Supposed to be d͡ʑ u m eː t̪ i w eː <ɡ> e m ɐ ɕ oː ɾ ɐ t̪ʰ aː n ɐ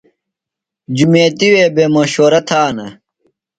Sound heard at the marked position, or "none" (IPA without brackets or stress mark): b